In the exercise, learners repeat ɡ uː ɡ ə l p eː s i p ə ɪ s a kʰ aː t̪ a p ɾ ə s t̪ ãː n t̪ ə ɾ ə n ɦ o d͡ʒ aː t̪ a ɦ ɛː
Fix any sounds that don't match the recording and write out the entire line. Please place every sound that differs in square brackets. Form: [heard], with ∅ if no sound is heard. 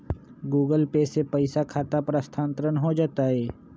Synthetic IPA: ɡ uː ɡ ə l p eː s [e] p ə ɪ s a kʰ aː t̪ a p ɾ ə s [t̪ʰ] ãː n t̪ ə ɾ ə n ɦ o d͡ʒ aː t̪ a ɦ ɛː